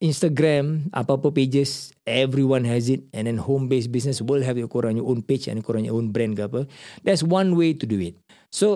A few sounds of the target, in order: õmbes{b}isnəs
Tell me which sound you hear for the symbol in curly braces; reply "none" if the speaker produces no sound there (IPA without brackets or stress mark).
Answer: b